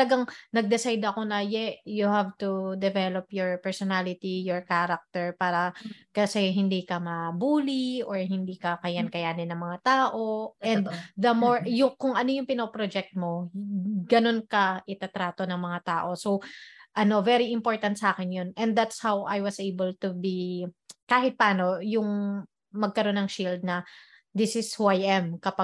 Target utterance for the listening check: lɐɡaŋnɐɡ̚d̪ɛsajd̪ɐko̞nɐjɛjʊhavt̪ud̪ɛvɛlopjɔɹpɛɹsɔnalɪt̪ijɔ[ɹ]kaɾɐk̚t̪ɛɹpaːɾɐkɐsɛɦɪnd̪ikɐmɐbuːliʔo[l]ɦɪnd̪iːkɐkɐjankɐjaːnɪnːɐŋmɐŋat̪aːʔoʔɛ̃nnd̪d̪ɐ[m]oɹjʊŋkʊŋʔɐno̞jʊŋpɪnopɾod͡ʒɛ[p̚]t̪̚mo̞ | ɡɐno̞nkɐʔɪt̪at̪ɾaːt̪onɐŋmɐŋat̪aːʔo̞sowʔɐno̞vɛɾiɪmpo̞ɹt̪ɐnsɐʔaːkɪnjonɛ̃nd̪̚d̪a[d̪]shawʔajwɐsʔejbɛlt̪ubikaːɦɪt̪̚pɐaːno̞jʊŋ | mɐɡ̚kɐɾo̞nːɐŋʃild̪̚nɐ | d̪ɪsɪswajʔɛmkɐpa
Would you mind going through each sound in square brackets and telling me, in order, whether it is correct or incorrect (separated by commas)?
correct, incorrect, correct, incorrect, incorrect